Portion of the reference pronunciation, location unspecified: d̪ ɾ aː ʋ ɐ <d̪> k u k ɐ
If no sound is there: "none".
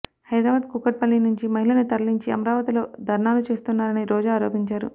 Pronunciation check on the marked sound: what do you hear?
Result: d̪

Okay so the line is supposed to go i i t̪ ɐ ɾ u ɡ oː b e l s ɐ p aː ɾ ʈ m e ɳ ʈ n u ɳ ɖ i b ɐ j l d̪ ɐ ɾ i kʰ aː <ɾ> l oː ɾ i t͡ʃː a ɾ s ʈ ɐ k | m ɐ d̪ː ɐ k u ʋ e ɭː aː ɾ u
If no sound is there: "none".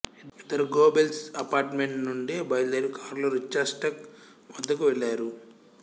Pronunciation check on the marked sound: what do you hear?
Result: ɾ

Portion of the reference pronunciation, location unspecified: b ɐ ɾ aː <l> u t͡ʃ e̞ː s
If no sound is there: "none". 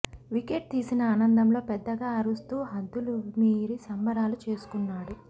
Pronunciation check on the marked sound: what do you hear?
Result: l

